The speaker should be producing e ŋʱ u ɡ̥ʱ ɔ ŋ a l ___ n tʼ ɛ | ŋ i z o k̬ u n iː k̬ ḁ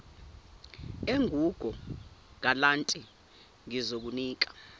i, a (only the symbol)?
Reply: a